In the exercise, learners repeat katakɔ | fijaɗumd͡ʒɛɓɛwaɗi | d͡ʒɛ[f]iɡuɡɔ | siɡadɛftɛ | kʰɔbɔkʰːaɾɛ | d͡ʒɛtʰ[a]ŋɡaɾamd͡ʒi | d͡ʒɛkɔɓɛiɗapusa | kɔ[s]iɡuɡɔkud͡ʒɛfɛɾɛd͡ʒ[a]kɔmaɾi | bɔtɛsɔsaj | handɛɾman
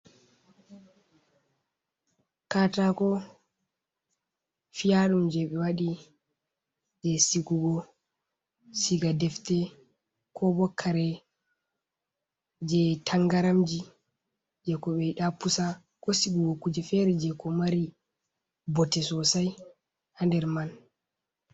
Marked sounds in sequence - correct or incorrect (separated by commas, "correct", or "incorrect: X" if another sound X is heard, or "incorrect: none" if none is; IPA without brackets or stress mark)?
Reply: incorrect: s, correct, correct, incorrect: ɛ